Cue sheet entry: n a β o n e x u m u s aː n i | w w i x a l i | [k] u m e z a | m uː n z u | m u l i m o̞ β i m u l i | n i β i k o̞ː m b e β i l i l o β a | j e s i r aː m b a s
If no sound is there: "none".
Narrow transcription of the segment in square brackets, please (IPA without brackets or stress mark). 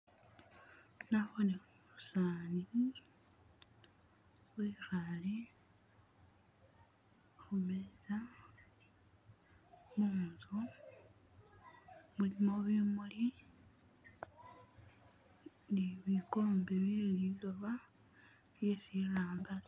x